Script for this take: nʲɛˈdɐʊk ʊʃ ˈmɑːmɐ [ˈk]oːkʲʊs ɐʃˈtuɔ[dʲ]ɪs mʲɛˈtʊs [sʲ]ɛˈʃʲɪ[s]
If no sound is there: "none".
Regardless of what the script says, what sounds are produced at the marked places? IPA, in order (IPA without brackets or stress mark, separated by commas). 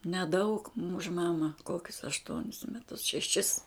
k, nʲ, ʃʲ, s